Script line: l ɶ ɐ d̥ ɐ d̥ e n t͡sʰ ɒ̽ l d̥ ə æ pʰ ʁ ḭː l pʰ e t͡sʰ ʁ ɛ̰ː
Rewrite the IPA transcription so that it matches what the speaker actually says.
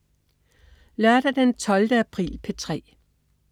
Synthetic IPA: l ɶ ɐ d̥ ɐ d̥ e n t͡sʰ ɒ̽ l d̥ ə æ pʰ ʁ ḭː l pʰ e t͡sʰ ʁ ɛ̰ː